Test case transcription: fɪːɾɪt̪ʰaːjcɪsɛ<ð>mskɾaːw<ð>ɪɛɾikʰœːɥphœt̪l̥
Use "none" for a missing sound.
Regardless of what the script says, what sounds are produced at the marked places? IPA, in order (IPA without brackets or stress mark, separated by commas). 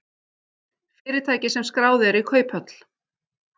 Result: none, ð